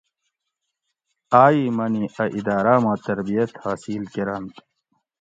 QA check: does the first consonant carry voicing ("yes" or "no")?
yes